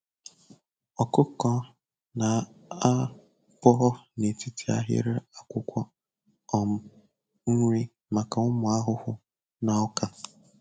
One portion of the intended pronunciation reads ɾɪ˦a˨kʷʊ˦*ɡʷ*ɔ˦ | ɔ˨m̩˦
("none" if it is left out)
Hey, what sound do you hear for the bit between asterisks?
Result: kʷ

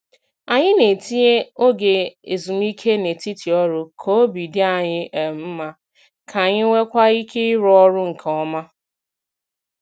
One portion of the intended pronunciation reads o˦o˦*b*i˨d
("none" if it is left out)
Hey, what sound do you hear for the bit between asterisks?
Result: b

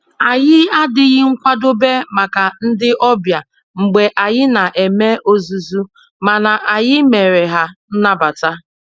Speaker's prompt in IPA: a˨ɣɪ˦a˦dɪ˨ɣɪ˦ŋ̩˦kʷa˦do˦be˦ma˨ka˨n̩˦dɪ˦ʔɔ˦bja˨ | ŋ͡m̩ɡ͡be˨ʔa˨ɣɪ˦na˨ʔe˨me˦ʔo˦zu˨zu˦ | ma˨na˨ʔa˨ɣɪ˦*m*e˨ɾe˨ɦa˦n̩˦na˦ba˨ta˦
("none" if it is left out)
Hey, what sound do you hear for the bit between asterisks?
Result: m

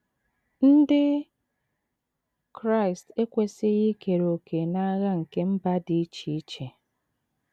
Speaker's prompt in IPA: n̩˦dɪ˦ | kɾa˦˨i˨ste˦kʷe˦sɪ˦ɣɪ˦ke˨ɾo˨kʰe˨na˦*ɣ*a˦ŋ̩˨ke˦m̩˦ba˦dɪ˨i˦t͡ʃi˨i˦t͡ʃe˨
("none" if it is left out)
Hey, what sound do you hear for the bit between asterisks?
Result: ɣ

